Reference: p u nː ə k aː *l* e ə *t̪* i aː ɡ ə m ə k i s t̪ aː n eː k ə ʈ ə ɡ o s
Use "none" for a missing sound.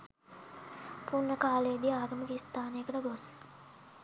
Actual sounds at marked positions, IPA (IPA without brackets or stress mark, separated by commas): l, d̪